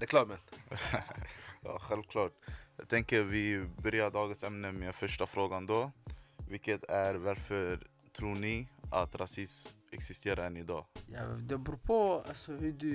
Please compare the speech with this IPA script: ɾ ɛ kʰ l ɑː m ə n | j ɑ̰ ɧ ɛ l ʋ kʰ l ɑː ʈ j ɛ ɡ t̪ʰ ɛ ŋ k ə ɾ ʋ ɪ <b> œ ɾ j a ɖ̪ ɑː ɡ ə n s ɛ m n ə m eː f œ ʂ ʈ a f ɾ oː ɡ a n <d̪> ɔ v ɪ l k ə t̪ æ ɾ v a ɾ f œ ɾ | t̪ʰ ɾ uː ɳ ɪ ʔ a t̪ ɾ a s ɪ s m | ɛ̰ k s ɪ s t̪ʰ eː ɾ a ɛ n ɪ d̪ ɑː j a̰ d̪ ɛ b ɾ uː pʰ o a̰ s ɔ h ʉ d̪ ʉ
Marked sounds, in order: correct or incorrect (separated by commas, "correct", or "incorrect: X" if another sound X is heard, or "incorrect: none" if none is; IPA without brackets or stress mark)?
correct, correct